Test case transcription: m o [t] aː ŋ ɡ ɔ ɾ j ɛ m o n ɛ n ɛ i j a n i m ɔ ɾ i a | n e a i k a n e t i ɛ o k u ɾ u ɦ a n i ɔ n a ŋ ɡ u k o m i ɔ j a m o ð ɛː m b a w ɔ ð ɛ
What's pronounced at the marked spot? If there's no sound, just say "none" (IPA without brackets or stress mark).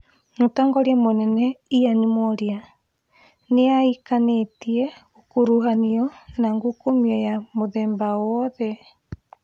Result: t